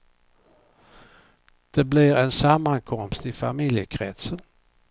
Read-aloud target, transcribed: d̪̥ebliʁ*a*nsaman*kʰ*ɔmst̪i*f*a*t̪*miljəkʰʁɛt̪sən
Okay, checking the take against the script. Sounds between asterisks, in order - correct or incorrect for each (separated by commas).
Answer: incorrect, correct, correct, incorrect